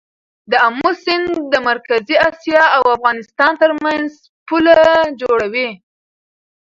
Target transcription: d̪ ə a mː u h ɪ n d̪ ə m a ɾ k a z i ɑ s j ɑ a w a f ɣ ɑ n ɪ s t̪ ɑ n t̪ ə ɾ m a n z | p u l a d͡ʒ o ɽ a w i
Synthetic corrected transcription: d̪ ə a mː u s ɪ n d̪ ə m a ɾ k a z i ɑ s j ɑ a w a f ɣ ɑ n ɪ s t̪ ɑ n t̪ ə ɾ m a n z | p u l a d͡ʒ o ɽ a w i